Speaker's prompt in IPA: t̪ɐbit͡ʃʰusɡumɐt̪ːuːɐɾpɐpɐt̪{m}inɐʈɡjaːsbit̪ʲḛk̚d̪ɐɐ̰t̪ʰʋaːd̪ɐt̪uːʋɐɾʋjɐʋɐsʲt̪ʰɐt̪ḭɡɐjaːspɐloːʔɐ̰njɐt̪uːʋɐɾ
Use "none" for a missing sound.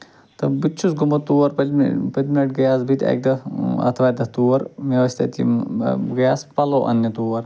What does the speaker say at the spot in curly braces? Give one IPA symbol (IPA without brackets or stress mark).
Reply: m